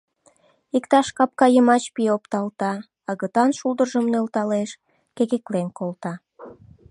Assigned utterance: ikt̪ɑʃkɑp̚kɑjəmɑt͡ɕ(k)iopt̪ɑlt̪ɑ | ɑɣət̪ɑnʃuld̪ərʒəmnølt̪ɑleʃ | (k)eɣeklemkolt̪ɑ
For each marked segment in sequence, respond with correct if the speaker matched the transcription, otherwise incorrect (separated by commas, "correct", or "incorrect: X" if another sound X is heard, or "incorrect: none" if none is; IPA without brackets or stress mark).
incorrect: p, correct